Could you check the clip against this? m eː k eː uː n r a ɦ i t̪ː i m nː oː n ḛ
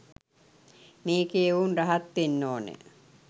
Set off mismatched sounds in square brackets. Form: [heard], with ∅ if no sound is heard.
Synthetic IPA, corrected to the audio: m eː k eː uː n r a ɦ [a] t̪ː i [∅] nː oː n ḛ